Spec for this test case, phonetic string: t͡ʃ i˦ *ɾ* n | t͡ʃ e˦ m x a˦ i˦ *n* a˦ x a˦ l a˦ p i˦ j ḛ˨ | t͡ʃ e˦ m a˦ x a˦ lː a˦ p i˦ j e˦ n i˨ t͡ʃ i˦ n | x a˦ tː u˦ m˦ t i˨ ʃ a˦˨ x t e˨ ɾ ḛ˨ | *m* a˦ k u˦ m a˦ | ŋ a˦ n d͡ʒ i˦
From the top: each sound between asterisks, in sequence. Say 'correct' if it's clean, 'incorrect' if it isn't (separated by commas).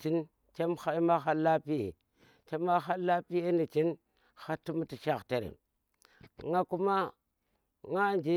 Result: incorrect, incorrect, incorrect